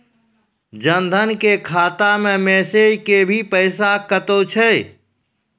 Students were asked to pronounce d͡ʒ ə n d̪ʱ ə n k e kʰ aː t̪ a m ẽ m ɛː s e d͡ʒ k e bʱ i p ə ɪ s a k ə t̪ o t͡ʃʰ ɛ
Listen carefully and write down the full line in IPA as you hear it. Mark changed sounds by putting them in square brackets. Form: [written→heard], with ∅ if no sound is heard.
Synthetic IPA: d͡ʒ ə n d̪ʱ ə n k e kʰ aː t̪ a m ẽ m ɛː s e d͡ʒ k e bʱ i p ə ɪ s a k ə t̪ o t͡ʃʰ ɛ